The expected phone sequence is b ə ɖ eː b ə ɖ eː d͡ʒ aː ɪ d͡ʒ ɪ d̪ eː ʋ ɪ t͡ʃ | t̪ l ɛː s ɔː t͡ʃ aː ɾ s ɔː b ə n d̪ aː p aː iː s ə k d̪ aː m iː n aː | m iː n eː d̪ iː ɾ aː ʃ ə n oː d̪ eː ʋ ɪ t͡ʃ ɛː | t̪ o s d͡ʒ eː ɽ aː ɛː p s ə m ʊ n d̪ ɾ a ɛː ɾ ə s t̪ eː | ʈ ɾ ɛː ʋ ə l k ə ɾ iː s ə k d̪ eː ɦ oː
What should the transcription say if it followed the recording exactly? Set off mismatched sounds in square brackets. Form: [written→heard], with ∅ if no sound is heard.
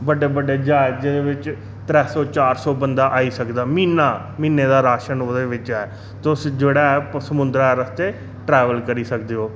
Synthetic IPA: b ə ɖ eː b ə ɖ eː d͡ʒ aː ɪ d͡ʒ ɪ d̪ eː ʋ ɪ t͡ʃ | t̪ [l→ɾ] ɛː s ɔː t͡ʃ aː ɾ s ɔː b ə n d̪ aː [p→ʔ] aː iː s ə k d̪ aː m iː n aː | m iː n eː d̪ [iː→aː] ɾ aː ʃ ə n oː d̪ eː ʋ ɪ t͡ʃ ɛː | t̪ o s d͡ʒ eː ɽ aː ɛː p s ə m ʊ n d̪ ɾ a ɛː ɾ ə s t̪ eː | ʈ ɾ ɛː ʋ ə l k ə ɾ iː s ə k d̪ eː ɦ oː